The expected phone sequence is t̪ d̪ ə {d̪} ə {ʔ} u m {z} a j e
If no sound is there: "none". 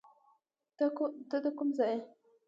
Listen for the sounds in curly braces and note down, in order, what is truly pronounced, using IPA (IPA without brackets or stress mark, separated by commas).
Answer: d̪, k, z